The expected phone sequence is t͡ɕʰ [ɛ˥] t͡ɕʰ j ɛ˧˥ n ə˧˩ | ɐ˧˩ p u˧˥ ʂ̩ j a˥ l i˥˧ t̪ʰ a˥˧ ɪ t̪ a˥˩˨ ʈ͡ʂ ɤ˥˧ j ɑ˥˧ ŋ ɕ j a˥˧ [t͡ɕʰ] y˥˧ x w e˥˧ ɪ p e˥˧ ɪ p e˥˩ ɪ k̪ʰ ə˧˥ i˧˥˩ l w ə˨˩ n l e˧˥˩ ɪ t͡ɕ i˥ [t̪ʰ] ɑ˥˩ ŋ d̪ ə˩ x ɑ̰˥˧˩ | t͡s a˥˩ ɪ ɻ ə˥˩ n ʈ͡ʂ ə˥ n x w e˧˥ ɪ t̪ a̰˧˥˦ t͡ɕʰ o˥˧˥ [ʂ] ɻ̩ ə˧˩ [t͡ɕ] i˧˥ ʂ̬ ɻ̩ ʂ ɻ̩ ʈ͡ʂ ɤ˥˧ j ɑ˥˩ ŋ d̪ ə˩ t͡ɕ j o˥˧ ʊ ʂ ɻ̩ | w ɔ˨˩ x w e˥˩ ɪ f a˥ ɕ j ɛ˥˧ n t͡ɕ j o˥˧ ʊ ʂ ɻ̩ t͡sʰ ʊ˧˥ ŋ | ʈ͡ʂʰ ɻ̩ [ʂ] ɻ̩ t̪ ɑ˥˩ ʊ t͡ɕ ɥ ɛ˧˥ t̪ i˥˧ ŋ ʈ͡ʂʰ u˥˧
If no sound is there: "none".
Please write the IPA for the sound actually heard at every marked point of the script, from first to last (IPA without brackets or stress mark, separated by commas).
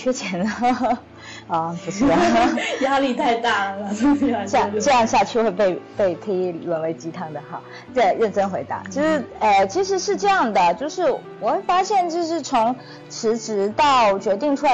ɛ˥, t͡ɕʰ, t̪ʰ, ʂ, t͡ɕʰ, ʈ͡ʂ